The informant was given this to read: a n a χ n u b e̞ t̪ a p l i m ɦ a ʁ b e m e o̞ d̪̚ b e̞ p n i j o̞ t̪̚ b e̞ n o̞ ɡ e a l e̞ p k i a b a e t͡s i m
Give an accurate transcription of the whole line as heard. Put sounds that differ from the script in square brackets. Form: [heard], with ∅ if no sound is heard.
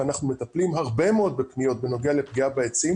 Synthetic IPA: a n a χ n u [m] e̞ t̪ a p l i m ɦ a ʁ b e m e o̞ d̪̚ b e̞ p n i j o̞ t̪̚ b e̞ n o̞ ɡ e a l e̞ p [ɡ] i a b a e t͡s i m